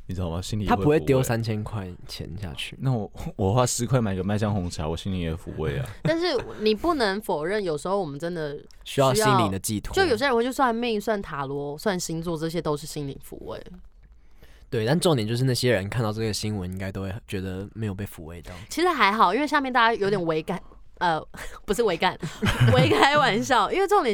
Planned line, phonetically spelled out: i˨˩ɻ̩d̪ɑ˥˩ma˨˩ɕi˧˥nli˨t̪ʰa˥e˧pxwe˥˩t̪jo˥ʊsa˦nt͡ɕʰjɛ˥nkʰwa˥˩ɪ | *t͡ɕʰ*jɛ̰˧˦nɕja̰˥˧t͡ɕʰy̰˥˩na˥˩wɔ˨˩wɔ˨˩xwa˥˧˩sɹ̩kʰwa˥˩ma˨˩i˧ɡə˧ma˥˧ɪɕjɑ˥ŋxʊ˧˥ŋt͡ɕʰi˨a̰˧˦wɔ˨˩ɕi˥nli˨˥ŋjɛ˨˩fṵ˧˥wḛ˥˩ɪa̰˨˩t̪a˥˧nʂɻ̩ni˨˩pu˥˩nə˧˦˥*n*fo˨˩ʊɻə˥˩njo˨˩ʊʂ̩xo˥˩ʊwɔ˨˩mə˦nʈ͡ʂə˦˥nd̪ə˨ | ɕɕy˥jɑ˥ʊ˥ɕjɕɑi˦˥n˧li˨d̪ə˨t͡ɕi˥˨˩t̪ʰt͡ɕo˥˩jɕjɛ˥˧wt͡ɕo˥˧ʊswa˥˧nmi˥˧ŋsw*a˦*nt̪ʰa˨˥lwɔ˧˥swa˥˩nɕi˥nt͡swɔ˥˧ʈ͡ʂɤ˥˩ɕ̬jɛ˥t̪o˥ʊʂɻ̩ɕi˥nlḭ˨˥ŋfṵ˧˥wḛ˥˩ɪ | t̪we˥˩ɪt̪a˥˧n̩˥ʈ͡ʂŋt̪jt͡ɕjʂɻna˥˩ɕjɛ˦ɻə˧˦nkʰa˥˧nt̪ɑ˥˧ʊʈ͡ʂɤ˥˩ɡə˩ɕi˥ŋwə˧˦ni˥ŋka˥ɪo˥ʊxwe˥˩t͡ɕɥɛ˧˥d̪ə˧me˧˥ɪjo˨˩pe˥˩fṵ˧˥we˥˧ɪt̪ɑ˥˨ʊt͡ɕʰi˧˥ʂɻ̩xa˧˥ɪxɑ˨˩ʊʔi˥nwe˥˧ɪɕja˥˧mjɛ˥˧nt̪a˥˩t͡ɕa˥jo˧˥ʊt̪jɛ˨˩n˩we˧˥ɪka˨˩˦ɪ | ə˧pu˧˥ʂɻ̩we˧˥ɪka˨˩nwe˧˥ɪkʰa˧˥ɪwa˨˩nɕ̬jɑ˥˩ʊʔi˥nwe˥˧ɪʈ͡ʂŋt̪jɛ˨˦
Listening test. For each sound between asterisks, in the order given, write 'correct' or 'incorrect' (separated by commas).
correct, incorrect, incorrect